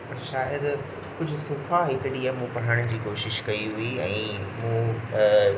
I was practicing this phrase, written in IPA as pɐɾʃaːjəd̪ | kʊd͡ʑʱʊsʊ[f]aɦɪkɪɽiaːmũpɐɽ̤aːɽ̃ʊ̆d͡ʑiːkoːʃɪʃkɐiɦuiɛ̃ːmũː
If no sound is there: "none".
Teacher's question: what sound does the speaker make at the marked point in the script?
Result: f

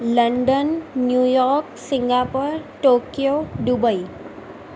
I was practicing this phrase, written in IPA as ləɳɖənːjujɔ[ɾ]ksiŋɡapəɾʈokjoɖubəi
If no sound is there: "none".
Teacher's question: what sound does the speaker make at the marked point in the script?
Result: ɾ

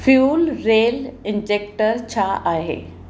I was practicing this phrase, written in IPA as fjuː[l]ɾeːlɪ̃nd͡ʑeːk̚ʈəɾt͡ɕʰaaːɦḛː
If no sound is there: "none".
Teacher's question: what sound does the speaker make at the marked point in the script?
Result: l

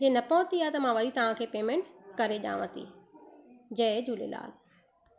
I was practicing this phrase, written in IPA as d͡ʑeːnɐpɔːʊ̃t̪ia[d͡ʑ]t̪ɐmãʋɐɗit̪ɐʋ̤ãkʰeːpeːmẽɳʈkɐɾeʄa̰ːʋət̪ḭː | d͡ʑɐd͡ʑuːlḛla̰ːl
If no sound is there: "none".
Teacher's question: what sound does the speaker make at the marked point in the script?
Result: none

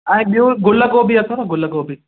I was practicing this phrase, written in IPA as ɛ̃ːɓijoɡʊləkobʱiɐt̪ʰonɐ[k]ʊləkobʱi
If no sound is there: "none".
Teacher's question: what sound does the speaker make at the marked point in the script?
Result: ɡ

